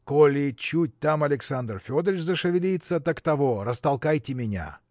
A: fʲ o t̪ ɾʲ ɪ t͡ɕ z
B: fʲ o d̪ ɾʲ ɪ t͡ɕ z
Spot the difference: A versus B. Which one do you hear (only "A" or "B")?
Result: B